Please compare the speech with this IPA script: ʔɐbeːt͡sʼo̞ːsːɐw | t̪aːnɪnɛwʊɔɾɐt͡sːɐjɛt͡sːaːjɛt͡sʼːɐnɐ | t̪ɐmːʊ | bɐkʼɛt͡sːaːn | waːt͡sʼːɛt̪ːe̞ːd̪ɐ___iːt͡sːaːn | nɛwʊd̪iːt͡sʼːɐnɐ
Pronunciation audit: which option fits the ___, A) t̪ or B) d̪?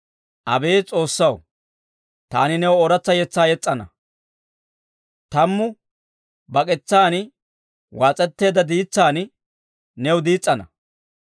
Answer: B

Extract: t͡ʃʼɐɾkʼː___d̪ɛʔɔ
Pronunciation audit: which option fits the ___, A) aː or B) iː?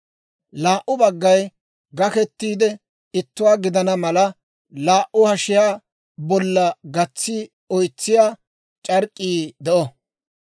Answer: B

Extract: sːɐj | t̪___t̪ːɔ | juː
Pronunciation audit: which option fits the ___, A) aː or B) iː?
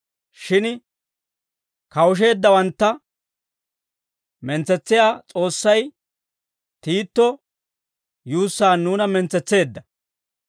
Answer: B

